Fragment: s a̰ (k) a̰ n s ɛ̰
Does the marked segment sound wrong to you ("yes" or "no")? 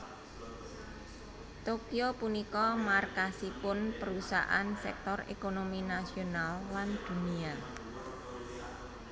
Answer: yes